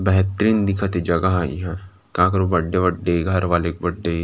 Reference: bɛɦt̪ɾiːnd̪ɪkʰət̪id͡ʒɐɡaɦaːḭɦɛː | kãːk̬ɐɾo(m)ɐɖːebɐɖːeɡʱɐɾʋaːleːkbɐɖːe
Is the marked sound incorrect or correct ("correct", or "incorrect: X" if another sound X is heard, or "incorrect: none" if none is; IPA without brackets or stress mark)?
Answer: incorrect: b